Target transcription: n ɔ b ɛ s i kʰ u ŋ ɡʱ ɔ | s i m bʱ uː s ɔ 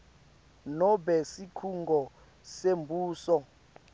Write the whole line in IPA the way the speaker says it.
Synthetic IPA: n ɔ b ɛ s i kʰ u ŋ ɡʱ ɔ | s e m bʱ uː s ɔ